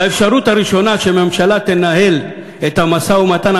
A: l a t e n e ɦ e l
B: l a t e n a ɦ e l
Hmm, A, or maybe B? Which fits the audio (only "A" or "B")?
B